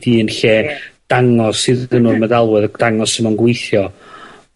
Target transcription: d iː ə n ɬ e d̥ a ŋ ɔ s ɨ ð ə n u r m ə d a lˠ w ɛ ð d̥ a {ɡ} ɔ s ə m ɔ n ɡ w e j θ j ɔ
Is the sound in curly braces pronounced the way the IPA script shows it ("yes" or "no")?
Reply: no